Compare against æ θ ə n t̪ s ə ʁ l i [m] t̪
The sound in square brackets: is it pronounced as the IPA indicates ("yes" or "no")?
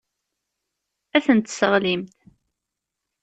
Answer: yes